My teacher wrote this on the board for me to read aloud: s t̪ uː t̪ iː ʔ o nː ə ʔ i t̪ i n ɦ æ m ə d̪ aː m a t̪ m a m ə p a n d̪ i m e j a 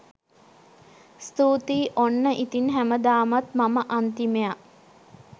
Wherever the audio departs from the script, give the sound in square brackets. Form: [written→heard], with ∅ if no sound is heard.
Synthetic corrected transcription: s t̪ uː t̪ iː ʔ o nː ə ʔ i t̪ i n ɦ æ m ə d̪ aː m a t̪ m a m ə [p→ʔ] a n [d̪→t̪] i m e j a

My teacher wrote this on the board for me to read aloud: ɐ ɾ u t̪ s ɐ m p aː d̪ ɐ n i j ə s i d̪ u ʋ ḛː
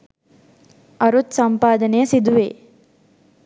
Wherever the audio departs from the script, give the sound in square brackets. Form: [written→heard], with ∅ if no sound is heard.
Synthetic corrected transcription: ɐ ɾ u t̪ s ɐ m p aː d̪ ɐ n [i→e] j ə s i d̪ u ʋ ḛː

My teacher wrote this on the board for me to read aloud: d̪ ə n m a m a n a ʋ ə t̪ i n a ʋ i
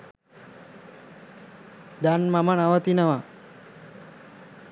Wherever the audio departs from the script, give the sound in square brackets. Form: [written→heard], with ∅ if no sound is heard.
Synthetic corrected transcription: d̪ [ə→a] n m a m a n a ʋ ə t̪ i n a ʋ [i→a]

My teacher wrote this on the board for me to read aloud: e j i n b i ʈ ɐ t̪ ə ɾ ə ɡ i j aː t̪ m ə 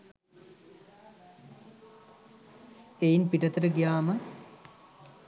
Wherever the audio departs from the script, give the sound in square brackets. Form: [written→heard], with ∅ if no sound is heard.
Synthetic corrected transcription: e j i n [b→p] i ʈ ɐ t̪ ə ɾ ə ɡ i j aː [t̪→∅] m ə

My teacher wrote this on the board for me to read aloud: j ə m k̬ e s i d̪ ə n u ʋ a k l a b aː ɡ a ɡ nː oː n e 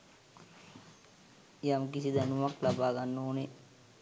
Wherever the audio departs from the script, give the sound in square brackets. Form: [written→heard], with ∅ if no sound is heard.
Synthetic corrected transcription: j [ə→a] m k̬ [e→i] s i d̪ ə n u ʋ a k l a b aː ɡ a [ɡ→∅] nː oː n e

